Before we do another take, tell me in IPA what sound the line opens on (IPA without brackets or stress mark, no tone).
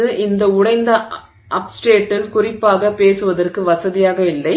ɯ